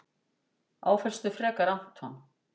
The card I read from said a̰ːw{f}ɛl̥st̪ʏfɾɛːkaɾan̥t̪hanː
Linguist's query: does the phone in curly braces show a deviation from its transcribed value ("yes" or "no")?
no